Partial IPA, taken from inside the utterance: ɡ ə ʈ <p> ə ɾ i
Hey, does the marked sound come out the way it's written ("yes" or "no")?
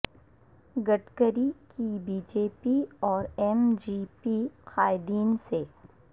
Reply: no